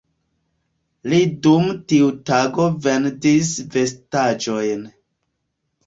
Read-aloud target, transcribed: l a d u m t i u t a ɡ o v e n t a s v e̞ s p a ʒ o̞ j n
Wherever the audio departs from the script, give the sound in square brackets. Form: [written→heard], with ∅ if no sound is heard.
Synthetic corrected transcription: l [a→i] d u m t i u t a ɡ o v e n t [a→i] s v e̞ s [p→t] a [ʒ→d͡ʒ] o̞ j n